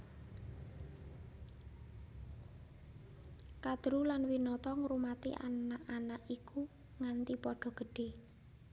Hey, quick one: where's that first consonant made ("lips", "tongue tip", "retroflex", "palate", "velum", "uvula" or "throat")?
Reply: velum